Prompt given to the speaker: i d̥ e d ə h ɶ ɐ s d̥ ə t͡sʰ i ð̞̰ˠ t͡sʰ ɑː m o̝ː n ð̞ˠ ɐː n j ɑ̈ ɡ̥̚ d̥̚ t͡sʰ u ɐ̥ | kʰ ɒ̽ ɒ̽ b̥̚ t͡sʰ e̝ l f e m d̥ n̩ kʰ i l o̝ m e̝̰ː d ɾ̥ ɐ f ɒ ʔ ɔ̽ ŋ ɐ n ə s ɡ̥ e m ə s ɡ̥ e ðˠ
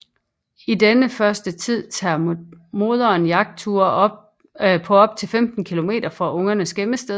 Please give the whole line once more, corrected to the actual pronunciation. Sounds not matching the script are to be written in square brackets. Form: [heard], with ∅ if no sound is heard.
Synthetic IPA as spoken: i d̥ e [n] ə [f] ɶ ɐ s d̥ ə t͡sʰ i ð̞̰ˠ t͡sʰ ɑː m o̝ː [∅] ð̞ˠ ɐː n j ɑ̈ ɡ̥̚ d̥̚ t͡sʰ u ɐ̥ | [pʰ] ɒ̽ ɒ̽ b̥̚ t͡sʰ e̝ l f e m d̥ n̩ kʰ i l o̝ m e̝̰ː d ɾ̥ ɐ f ɒ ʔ ɔ̽ ŋ ɐ n ə s ɡ̥ e m ə s [d̥] e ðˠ